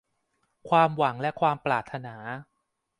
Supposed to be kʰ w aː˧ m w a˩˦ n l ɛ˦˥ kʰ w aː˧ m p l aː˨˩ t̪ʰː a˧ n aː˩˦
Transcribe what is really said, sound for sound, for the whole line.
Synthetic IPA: kʰ w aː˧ m w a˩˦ ŋ l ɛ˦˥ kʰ w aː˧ m p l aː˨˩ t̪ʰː a˧ n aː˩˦

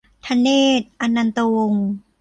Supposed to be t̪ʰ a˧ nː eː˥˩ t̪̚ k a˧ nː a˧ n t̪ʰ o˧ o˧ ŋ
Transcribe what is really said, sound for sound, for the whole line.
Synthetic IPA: t̪ʰ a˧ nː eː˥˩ t̪̚ ʔ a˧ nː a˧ n t̪ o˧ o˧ ŋ

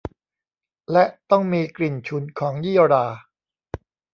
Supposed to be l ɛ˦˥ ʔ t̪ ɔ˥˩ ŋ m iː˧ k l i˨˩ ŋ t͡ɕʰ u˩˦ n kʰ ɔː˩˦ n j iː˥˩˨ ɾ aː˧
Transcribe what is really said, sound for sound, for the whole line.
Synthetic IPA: l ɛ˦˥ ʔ t̪ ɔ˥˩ ŋ m iː˧ k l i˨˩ n t͡ɕʰ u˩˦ n kʰ ɔː˩˦ ŋ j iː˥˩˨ ɾ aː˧

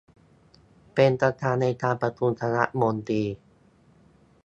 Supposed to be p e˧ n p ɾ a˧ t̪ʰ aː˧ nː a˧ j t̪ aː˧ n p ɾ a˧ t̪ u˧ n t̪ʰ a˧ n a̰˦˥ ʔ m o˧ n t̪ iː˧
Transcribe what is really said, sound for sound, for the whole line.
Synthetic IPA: p e˧ n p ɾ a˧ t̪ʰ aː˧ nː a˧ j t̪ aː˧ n p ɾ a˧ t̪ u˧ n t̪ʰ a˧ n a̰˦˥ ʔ m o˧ n t̪ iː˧

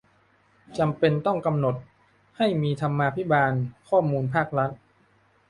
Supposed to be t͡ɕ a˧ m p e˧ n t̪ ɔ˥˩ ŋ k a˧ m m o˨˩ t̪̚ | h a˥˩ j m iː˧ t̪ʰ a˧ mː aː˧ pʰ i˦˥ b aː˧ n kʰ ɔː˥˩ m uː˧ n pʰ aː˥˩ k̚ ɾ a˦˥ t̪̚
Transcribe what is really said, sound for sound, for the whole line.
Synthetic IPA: t͡ɕ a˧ m p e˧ n t̪ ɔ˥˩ ŋ k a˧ m n o˨˩ t̪̚ | h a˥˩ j m iː˧ t̪ʰ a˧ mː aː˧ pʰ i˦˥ b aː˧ n kʰ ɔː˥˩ m uː˧ n pʰ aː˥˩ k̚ ɾ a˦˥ t̪̚

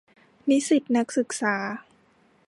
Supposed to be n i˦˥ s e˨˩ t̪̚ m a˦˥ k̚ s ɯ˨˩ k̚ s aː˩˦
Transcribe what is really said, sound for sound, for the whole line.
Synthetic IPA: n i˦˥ s i˨˩ t̪̚ n a˦˥ k̚ s ɯ˨˩ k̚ s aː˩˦

